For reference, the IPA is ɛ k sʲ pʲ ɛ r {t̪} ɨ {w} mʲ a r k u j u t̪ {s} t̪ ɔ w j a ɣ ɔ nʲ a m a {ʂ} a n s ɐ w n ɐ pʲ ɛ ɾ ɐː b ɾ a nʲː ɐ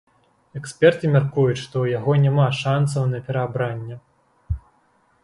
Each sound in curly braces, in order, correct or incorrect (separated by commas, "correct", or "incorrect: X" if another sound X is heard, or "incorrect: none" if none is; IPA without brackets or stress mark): correct, incorrect: none, incorrect: ʂ, correct